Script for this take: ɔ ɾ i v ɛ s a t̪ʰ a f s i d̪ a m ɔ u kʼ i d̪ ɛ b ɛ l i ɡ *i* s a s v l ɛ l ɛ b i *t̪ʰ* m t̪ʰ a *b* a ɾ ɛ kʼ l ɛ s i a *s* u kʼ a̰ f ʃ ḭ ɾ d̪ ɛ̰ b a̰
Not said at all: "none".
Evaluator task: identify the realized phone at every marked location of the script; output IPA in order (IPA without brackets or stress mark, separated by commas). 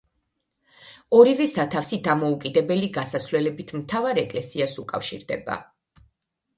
a, t̪ʰ, v, s